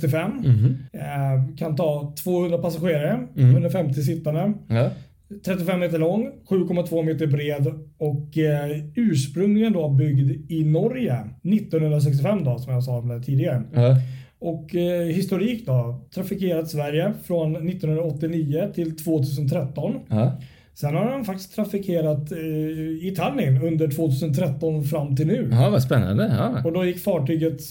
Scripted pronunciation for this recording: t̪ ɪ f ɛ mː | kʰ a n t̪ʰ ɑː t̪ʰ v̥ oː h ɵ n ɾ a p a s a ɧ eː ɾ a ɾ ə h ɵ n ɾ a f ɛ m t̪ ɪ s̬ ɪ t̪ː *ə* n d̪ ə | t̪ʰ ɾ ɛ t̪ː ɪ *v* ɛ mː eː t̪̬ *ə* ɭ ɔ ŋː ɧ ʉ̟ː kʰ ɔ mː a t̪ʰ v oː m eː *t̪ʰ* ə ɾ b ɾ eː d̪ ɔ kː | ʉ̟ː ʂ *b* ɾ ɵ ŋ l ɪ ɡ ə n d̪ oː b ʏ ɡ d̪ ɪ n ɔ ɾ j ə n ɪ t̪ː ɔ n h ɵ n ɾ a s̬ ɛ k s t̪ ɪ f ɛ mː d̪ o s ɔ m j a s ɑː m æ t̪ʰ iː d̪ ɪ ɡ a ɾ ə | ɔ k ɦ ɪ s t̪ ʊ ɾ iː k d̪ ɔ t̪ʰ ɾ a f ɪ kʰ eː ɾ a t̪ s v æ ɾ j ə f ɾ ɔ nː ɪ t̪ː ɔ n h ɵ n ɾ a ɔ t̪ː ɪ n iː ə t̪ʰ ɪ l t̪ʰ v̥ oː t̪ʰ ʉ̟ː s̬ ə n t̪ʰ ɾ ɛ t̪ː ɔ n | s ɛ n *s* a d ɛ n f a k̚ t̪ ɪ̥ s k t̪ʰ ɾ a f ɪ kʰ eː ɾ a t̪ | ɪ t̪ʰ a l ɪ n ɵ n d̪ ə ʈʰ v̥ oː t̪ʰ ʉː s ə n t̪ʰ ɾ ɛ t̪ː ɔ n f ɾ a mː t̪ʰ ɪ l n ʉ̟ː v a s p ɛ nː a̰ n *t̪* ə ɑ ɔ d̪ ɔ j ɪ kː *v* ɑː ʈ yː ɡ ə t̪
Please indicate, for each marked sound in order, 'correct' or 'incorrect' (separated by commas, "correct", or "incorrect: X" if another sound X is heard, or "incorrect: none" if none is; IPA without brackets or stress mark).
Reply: incorrect: a, incorrect: f, correct, incorrect: t̪, incorrect: p, incorrect: h, incorrect: d̪, incorrect: f